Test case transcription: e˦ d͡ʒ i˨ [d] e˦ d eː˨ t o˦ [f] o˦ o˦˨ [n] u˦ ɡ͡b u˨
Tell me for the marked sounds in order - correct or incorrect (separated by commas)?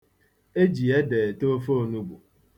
incorrect, correct, correct